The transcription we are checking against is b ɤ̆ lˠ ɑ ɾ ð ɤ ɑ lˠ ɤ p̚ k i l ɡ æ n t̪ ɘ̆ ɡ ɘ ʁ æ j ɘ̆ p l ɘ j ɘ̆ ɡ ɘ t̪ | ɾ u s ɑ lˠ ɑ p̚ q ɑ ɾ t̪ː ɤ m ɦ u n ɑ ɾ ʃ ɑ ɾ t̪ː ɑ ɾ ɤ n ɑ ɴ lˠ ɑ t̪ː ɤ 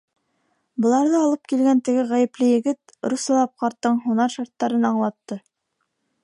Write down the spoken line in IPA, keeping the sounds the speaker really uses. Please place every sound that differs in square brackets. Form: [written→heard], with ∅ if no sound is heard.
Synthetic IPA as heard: b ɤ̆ lˠ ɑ ɾ ð ɤ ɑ lˠ ɤ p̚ k i l ɡ æ n t̪ ɘ̆ ɡ ɘ ʁ æ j ɘ̆ p l ɘ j ɘ̆ ɡ ɘ t̪ | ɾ u s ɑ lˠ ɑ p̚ q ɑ ɾ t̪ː ɤ [m→ɴ] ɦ u n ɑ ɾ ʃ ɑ ɾ t̪ː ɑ ɾ ɤ n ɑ ɴ lˠ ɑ t̪ː ɤ